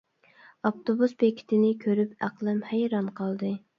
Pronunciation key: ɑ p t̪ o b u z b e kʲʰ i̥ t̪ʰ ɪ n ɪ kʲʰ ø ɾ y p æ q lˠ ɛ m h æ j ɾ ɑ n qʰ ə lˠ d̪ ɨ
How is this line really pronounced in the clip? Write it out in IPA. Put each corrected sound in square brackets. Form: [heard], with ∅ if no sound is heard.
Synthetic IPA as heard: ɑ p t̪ o b u [s] b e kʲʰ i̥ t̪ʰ ɪ n ɪ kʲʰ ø ɾ y p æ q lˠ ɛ m h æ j ɾ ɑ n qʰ [ɑ] lˠ d̪ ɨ